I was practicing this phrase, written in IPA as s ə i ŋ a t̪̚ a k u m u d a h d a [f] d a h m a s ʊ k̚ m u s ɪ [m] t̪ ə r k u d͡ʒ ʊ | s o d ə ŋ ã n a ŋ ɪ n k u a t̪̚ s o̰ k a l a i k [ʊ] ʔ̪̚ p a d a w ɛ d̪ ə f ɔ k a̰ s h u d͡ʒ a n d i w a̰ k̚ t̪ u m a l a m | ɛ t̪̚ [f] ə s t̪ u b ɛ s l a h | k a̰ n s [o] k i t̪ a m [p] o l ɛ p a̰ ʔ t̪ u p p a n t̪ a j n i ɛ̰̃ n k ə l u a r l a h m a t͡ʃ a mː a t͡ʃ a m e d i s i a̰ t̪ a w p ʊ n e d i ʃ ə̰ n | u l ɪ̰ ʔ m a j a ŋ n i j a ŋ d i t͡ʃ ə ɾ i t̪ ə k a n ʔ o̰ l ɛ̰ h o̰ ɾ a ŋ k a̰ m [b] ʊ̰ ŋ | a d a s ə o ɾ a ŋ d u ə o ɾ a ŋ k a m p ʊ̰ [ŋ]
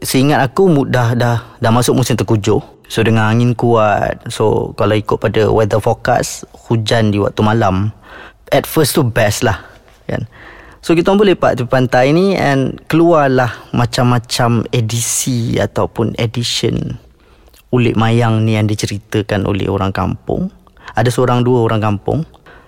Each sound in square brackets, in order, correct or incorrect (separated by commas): incorrect, correct, correct, correct, correct, incorrect, incorrect, correct